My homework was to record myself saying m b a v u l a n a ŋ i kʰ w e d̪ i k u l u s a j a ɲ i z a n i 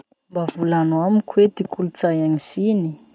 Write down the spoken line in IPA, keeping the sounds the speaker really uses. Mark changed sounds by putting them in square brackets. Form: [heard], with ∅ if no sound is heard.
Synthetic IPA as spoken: m b a v u l a n a [m] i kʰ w e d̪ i k u l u [t͡s] a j a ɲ i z [i] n i